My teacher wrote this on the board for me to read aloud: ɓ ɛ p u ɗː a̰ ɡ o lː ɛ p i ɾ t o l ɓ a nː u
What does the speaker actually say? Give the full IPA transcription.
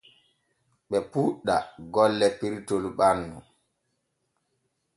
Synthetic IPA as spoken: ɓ ɛ p u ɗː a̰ ɡ ɔ lː ɛ p i ɾ t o l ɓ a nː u